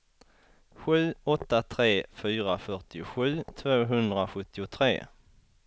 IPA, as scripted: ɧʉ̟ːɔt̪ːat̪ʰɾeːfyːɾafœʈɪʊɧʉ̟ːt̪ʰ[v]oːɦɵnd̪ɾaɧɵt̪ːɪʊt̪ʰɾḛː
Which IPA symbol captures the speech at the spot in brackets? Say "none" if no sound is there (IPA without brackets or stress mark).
v